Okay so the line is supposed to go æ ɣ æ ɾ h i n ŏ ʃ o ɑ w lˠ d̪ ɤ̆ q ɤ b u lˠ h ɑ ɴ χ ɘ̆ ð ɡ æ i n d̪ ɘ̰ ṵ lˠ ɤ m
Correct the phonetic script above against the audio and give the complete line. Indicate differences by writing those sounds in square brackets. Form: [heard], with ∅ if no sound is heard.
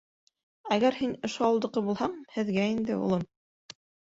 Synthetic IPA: æ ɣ æ ɾ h i n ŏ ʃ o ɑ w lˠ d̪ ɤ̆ q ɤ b u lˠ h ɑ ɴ [h] ɘ̆ ð ɡ æ i n d̪ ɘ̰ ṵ lˠ ɤ m